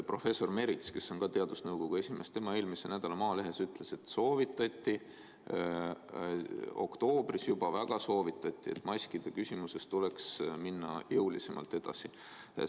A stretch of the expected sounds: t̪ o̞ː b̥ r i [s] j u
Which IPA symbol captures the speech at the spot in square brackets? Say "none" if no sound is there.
s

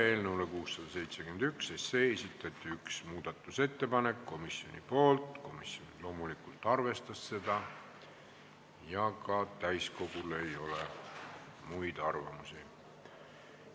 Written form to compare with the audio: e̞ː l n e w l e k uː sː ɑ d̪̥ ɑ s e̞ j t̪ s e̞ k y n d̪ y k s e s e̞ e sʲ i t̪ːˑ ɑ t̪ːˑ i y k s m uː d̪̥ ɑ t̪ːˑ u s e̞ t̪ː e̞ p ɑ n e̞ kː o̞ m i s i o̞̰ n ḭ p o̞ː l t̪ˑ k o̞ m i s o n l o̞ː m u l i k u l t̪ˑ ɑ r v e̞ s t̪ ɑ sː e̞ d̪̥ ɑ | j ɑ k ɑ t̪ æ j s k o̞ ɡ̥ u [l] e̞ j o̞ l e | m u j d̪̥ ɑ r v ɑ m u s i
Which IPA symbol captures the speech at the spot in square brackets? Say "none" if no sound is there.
l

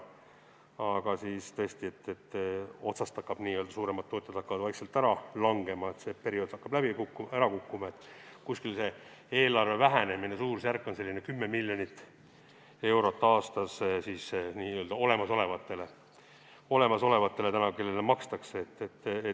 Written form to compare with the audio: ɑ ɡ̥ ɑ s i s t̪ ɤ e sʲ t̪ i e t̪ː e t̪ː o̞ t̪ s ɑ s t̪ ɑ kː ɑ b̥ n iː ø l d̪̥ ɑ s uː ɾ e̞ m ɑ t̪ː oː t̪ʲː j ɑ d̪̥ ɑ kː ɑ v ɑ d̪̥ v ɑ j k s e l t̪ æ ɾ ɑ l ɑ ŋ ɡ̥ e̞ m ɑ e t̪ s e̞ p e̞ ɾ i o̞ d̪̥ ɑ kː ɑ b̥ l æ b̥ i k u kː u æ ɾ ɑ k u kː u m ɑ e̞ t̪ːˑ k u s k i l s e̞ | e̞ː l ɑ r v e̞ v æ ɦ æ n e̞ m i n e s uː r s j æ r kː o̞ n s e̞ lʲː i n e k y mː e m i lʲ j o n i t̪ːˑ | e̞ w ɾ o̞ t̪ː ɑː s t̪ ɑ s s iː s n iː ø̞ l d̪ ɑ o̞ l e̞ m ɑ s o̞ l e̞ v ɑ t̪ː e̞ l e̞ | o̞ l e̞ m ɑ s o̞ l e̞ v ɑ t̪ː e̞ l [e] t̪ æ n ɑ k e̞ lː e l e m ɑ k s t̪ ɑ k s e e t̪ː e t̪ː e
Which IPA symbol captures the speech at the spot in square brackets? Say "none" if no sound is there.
e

